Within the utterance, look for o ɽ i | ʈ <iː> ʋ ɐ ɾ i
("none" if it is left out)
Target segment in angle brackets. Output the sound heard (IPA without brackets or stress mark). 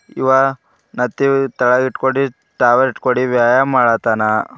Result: aː